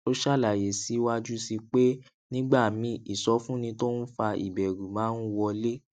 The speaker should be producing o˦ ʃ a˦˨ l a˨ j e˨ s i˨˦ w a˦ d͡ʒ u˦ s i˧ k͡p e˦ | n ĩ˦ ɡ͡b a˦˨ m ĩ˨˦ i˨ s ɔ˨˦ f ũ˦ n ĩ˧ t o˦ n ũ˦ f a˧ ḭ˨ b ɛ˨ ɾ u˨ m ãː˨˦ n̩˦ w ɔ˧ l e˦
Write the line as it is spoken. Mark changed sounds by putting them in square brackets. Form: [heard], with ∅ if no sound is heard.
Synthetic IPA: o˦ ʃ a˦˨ l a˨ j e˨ s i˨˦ w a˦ d͡ʒ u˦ s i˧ k͡p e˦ | n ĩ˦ ɡ͡b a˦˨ m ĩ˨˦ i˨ s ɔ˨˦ f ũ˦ n ĩ˧ t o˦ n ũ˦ f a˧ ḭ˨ b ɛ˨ ɾ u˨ m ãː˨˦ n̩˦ w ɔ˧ l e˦